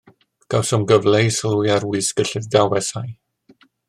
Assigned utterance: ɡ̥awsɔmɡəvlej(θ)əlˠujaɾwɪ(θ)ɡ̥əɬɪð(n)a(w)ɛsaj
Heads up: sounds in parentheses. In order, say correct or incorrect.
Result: incorrect, incorrect, incorrect, correct

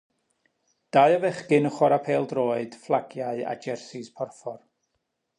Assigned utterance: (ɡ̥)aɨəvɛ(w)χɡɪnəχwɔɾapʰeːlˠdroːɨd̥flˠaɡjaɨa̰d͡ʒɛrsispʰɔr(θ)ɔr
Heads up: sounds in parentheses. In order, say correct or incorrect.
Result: incorrect, incorrect, incorrect

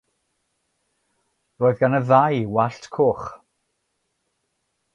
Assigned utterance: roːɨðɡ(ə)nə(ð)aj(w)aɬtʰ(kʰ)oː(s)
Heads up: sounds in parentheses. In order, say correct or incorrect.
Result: incorrect, correct, correct, correct, incorrect

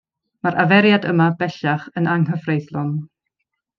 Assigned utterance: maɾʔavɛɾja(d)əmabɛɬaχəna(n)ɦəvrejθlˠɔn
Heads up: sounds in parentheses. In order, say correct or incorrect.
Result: correct, incorrect

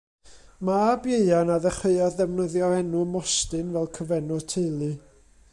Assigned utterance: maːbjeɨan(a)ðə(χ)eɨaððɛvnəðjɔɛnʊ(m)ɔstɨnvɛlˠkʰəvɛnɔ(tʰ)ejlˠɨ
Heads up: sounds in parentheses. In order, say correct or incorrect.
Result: correct, correct, correct, correct

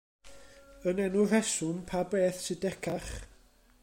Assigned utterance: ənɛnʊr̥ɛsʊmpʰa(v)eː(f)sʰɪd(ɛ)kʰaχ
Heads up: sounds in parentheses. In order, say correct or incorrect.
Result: incorrect, incorrect, correct

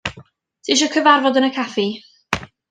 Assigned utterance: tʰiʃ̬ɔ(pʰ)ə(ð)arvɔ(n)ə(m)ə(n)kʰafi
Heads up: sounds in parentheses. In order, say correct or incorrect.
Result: incorrect, incorrect, incorrect, incorrect, incorrect

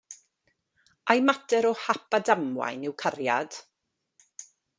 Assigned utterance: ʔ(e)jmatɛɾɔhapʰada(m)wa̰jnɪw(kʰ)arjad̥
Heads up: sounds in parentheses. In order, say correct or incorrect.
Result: incorrect, correct, correct

